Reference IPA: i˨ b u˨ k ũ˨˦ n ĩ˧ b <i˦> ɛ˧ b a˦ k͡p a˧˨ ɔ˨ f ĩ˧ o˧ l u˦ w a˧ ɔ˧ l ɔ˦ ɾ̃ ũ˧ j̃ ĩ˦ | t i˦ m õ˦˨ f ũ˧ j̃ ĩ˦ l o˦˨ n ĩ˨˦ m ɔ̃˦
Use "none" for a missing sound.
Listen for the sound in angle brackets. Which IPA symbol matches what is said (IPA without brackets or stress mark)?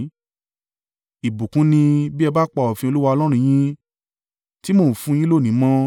i˦